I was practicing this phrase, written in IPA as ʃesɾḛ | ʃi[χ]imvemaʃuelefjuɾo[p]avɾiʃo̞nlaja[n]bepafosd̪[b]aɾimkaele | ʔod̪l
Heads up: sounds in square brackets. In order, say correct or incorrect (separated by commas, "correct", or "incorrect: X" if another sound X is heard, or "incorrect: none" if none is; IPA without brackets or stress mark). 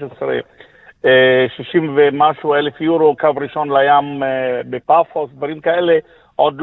incorrect: ʃ, incorrect: k, incorrect: m, incorrect: v